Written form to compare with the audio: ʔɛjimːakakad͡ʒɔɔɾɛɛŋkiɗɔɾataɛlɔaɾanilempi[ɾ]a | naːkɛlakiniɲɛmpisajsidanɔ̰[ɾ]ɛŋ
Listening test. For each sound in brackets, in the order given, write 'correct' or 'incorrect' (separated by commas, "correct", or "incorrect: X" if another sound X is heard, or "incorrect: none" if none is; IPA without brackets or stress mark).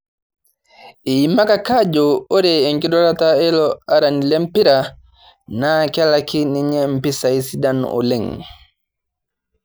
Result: correct, incorrect: l